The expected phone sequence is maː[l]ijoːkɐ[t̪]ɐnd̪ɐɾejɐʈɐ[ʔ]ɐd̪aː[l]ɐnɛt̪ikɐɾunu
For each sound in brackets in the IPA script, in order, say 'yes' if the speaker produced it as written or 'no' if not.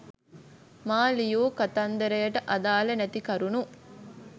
yes, yes, yes, yes

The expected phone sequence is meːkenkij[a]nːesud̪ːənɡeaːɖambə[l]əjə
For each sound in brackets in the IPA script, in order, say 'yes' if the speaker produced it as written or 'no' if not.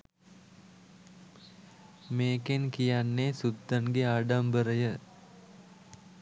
yes, no

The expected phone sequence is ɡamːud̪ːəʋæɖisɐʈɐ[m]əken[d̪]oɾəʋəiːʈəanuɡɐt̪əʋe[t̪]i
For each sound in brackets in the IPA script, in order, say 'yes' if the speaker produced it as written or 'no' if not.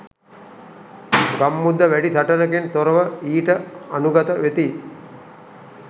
no, no, yes

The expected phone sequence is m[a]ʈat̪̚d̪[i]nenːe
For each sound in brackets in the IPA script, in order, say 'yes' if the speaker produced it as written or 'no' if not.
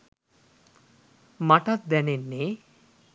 yes, no

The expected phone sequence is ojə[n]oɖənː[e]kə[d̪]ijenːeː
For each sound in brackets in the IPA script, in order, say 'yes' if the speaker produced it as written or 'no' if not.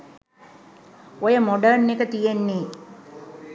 no, yes, no

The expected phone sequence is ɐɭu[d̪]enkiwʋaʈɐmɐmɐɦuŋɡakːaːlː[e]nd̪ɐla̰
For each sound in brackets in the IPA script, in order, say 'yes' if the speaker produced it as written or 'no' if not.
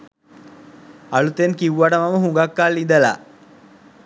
no, no

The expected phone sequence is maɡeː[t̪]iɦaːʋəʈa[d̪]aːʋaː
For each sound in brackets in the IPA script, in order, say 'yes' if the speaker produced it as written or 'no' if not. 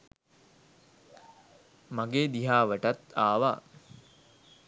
no, no

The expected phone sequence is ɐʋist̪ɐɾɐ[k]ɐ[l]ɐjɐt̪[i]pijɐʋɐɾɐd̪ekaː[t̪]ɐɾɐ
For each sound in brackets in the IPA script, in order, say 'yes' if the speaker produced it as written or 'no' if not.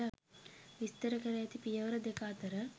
yes, no, yes, yes

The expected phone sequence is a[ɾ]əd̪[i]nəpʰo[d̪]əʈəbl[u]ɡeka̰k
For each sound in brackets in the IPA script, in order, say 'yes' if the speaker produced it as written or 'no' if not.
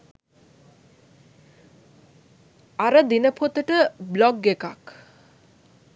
yes, yes, no, no

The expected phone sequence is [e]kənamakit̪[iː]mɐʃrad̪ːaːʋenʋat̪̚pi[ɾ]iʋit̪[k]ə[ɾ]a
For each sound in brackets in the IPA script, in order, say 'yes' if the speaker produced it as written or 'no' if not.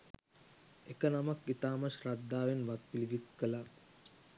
yes, no, no, yes, no

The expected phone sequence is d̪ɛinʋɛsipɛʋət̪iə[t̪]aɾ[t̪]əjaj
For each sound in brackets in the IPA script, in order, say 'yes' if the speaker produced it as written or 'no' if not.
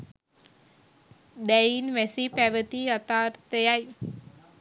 yes, yes

